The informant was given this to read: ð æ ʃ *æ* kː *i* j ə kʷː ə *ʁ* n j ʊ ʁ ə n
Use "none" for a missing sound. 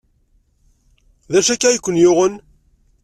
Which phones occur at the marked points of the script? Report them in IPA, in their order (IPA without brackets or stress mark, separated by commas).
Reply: æ, æ, none